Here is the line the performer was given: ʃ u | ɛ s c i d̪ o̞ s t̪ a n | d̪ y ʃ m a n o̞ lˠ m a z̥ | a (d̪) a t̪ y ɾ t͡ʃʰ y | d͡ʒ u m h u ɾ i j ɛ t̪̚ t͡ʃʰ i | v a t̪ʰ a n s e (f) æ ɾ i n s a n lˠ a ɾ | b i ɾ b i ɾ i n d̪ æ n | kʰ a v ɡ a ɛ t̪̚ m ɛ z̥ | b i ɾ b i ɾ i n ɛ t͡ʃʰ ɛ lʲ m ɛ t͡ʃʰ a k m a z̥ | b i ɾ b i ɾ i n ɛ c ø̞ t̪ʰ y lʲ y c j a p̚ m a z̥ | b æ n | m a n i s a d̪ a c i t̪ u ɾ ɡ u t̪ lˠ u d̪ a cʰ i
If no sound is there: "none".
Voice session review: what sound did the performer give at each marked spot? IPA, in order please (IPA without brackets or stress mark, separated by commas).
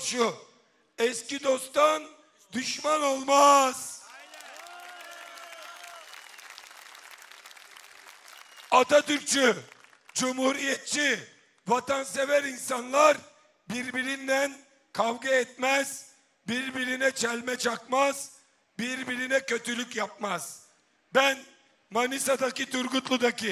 t̪, v